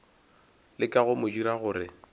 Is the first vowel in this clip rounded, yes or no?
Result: no